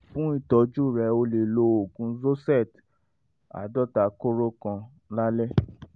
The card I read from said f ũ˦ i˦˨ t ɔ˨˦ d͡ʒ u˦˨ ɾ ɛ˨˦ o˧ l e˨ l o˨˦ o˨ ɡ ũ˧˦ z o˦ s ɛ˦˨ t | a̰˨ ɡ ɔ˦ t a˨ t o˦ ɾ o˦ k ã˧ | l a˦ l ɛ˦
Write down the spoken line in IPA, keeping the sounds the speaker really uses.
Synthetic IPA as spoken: f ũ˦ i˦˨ t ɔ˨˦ d͡ʒ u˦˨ ɾ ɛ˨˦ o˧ l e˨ l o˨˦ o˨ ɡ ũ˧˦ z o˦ s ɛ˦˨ t | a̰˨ d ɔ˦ t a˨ k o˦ ɾ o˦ k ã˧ | l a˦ l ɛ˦